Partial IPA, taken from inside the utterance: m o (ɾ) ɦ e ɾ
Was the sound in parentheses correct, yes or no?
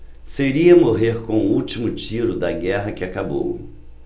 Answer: no